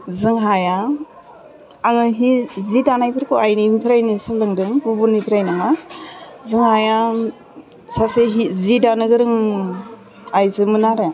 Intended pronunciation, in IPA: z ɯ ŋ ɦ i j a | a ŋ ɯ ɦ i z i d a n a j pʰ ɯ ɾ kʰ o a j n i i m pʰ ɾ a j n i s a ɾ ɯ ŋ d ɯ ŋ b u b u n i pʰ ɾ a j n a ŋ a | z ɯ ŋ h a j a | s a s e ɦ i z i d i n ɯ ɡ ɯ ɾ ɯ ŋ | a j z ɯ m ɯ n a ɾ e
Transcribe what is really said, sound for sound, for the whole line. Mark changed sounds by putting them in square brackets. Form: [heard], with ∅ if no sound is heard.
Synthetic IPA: z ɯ ŋ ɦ [a] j a | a ŋ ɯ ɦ i z i d a n a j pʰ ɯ ɾ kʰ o a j n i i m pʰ ɾ a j n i s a [l] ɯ ŋ d ɯ ŋ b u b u n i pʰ ɾ a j n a ŋ a | z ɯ ŋ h a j a | s a s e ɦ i z i d [a] n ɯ ɡ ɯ ɾ ɯ ŋ | a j z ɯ m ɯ n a ɾ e